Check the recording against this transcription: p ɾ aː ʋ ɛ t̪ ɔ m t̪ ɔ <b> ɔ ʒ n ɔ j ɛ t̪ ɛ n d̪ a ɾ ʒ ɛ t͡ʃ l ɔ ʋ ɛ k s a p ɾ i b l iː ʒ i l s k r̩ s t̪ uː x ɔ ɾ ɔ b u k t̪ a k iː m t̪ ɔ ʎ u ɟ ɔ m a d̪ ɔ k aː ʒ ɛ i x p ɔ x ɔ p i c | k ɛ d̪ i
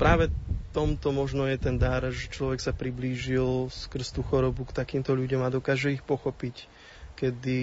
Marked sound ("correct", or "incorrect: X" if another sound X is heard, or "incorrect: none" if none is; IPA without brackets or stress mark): incorrect: m